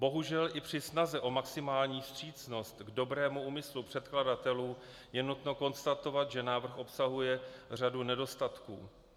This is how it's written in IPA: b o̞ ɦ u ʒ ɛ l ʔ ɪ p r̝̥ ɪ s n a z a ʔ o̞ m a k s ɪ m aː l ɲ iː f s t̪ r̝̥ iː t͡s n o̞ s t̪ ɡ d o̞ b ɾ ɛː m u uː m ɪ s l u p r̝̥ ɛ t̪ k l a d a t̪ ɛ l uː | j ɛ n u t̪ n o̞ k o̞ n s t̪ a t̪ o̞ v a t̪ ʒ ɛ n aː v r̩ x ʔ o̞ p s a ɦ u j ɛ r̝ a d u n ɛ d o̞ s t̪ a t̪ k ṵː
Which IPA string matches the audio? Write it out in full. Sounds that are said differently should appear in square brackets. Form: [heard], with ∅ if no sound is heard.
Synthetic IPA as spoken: b o̞ ɦ u ʒ ɛ l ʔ ɪ p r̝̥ ɪ s n a z [ɛ] ʔ o̞ m a k s ɪ m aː l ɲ iː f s t̪ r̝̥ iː t͡s n o̞ s t̪ ɡ d o̞ b ɾ ɛː m u uː m ɪ s l u p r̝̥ ɛ t̪ k l a d a t̪ ɛ l uː | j ɛ n u t̪ n o̞ k o̞ n s t̪ a t̪ o̞ v a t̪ ʒ ɛ n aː v r̩ x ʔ o̞ p s a ɦ u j ɛ r̝ a d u n ɛ d o̞ s t̪ a t̪ k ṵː